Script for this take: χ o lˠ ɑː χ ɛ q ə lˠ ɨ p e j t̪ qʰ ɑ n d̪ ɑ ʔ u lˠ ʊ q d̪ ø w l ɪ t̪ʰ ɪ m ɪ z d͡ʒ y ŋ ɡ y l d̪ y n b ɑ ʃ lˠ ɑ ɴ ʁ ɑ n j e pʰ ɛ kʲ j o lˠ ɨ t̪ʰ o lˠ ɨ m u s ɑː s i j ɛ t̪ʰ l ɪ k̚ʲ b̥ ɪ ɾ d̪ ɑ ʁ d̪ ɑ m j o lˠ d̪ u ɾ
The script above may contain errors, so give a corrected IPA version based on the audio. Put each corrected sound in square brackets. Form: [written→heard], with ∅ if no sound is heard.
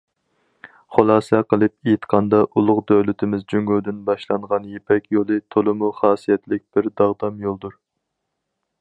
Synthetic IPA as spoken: χ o lˠ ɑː [χ→s] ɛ q ə lˠ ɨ p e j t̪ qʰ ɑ n d̪ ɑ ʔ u lˠ ʊ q d̪ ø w l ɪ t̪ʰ ɪ m ɪ z d͡ʒ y ŋ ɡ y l d̪ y n b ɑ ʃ lˠ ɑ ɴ ʁ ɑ n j e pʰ ɛ kʲ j o lˠ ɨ t̪ʰ o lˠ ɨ m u [s→χ] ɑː s i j ɛ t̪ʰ l ɪ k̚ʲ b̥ ɪ ɾ d̪ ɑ ʁ d̪ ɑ m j o lˠ d̪ u ɾ